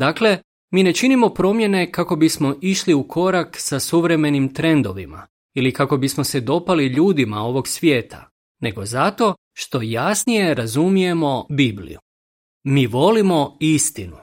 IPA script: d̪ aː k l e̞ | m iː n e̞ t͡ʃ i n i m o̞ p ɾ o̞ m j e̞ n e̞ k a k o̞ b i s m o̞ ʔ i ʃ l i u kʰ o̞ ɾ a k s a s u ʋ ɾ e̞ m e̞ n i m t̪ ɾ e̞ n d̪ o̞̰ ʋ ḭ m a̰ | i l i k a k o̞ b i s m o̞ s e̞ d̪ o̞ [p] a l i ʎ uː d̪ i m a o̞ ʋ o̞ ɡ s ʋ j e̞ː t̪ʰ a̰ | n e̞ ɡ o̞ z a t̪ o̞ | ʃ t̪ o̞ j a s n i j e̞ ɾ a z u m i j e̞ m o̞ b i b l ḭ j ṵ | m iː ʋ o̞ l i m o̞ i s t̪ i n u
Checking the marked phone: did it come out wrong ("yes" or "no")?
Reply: no